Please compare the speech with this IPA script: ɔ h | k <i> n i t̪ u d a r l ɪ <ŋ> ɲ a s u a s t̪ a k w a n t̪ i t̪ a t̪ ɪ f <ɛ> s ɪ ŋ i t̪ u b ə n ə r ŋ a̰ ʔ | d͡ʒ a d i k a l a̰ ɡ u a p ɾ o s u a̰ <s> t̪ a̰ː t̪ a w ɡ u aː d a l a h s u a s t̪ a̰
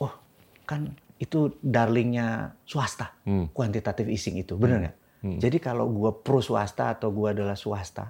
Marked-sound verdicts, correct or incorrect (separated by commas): incorrect, correct, incorrect, correct